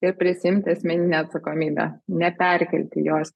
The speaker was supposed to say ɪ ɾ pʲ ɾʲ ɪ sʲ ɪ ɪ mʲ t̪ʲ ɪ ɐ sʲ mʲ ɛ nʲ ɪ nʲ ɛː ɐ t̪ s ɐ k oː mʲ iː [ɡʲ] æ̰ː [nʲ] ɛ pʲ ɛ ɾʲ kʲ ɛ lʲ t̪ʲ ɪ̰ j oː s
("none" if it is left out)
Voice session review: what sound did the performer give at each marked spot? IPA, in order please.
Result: bʲ, nʲ

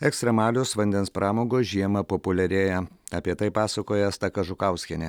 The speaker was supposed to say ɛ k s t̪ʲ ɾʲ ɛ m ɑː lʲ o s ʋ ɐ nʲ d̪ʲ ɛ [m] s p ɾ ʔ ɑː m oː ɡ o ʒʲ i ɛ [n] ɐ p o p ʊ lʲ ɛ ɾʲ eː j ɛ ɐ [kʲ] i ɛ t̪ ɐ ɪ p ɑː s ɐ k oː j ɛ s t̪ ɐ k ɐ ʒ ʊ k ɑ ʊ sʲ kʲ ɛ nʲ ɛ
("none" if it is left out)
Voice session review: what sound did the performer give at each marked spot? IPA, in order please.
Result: n, m, pʲ

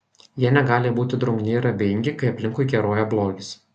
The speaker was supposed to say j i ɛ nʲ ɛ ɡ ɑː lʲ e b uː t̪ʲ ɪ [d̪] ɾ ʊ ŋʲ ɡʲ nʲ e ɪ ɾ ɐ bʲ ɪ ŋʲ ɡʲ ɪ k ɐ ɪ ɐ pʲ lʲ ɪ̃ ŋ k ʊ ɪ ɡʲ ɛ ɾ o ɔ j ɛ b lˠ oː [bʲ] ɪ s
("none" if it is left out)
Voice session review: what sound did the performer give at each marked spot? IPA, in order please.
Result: d̪, ɡʲ

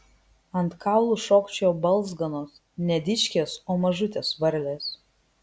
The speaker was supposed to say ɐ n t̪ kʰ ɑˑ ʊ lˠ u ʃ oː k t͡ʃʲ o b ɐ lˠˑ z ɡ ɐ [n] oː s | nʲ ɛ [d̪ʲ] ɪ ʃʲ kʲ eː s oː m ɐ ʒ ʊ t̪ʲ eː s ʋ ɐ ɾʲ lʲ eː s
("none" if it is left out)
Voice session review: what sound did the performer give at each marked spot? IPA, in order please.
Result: n, d̪ʲ

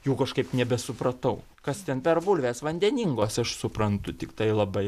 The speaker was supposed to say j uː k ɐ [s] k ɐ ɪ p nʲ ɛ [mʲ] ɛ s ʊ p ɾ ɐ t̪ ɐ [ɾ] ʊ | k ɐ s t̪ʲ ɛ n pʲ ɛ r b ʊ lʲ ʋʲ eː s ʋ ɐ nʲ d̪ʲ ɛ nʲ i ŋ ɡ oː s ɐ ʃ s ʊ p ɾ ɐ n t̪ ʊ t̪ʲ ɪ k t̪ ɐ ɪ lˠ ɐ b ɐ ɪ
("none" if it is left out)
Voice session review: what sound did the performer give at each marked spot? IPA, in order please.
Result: ʃ, bʲ, none

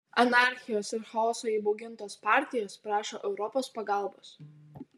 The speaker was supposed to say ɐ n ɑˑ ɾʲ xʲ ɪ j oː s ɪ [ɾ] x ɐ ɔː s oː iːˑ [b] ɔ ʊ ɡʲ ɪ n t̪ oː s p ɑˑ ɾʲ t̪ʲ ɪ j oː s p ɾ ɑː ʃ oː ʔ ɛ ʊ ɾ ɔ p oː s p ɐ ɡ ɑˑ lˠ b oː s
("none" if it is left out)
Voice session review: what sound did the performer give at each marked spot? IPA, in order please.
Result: ɾ, b

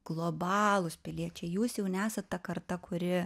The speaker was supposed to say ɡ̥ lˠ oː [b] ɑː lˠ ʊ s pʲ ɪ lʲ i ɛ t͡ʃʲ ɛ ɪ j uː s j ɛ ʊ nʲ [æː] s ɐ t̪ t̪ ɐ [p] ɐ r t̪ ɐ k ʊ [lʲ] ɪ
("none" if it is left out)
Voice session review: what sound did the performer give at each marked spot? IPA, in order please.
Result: b, æː, k, ɾʲ

